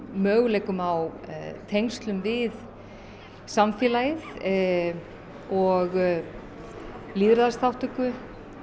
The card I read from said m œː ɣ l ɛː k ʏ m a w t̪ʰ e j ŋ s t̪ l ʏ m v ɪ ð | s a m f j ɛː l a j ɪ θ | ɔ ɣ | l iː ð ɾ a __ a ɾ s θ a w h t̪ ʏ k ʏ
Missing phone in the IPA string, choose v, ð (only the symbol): ð